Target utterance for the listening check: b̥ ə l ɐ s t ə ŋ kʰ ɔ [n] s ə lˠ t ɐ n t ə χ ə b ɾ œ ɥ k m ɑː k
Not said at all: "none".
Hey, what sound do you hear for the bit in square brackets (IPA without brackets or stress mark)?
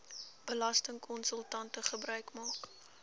n